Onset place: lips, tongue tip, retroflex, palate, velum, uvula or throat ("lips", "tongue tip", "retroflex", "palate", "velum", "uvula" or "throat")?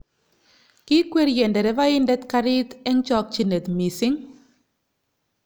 velum